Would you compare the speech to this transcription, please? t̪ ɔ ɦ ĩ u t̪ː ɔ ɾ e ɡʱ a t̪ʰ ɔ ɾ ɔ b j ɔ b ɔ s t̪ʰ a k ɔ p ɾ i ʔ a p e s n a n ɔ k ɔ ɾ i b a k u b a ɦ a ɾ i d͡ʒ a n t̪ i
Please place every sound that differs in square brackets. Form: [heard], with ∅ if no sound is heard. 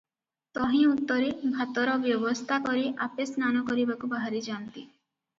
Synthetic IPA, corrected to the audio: t̪ ɔ ɦ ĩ u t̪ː ɔ ɾ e [bʱ] a [t̪] ɔ ɾ ɔ b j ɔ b ɔ s t̪ʰ a k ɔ [∅] ɾ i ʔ a p e s n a n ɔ k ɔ ɾ i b a k u b a ɦ a ɾ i d͡ʒ a n t̪ i